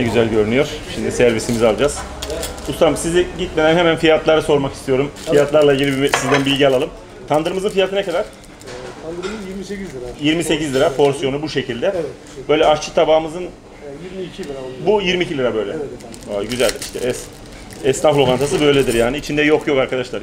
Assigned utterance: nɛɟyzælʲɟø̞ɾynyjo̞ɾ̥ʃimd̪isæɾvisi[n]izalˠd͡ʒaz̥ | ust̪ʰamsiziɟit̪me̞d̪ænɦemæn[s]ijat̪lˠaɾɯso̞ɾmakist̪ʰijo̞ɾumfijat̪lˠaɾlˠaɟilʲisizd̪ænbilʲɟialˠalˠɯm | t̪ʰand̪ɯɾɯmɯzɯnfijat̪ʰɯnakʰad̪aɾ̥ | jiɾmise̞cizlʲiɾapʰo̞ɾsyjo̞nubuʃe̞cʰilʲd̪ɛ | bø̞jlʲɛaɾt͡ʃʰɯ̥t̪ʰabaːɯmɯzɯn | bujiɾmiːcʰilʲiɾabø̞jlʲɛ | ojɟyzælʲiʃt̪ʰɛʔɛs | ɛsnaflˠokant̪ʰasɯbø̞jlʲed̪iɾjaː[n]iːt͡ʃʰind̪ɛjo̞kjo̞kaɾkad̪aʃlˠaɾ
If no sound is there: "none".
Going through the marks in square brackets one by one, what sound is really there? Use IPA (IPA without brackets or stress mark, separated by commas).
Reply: m, f, n